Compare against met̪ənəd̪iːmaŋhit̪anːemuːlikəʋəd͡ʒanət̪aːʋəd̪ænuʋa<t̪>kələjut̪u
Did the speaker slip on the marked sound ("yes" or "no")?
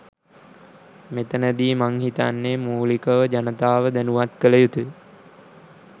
no